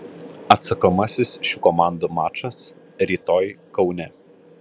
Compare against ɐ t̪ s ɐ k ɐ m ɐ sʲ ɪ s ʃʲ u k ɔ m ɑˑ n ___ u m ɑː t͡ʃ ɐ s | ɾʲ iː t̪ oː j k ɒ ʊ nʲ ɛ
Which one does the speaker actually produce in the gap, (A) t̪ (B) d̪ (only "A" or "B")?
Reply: B